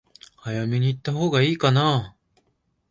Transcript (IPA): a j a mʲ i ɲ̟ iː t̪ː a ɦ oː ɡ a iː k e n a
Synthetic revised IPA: a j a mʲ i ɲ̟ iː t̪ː a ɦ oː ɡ a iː k a n a